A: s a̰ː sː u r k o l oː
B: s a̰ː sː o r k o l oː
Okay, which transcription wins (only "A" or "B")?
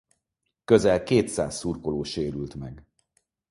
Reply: A